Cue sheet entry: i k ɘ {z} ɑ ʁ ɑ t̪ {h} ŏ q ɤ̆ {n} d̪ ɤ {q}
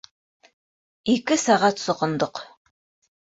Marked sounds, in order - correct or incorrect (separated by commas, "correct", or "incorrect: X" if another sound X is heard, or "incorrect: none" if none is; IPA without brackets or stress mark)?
incorrect: s, incorrect: s, correct, correct